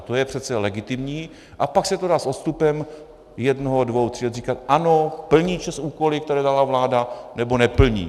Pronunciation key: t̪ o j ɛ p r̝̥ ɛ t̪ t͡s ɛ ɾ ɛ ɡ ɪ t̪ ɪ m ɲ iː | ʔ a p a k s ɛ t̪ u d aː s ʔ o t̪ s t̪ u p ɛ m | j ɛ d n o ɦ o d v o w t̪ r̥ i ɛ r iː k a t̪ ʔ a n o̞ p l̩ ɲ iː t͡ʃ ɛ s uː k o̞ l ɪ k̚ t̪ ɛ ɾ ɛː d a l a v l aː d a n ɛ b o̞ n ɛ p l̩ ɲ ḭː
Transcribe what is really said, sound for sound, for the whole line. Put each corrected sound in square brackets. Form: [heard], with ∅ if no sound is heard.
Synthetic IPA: t̪ o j ɛ p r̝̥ ɛ t̪ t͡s ɛ [l] ɛ ɡ ɪ t̪ ɪ m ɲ iː | ʔ a p a k s ɛ t̪ [o] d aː s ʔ o t̪ s t̪ u p ɛ m | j ɛ d n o ɦ o d v o w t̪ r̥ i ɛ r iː k a t̪ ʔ a n o̞ p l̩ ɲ iː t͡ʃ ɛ s uː k o̞ l ɪ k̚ t̪ ɛ ɾ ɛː d a l a v l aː d a n ɛ b o̞ n ɛ p l̩ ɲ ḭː